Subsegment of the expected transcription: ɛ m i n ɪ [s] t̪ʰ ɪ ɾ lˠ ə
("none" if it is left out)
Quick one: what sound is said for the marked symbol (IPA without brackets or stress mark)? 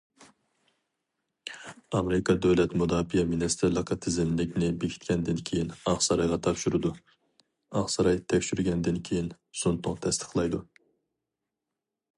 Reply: s